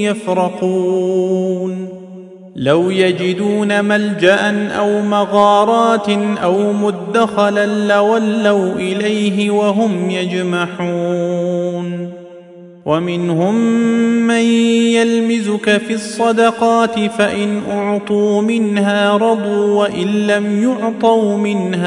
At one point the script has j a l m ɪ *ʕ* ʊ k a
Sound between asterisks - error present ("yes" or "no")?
yes